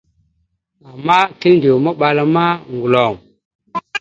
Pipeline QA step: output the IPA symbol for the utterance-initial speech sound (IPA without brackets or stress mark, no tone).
a